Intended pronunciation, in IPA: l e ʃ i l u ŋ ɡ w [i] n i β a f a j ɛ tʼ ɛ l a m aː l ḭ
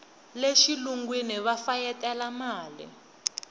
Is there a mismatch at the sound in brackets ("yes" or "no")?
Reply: no